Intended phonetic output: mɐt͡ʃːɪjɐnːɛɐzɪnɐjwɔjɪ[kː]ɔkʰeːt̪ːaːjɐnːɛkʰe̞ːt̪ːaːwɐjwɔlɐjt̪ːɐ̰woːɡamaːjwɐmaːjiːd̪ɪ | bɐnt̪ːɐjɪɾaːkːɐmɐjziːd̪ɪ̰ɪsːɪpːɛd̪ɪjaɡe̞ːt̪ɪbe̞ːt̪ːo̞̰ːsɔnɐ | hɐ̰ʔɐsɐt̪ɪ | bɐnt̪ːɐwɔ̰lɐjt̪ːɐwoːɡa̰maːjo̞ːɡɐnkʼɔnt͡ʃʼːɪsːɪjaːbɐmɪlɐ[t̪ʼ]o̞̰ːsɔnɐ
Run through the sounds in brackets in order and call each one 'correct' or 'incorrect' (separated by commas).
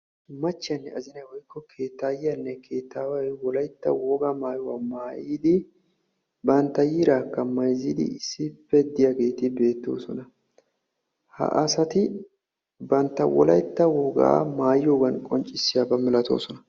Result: correct, incorrect